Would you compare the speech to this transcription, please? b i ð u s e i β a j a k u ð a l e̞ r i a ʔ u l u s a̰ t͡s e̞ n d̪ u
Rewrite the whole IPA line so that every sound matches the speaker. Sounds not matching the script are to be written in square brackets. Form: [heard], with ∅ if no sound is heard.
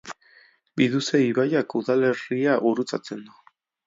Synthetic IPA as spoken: b i ð u s e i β a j a k u ð a l e̞ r i a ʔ u [ɾ] u [t͡s] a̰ t͡s e̞ n d̪ u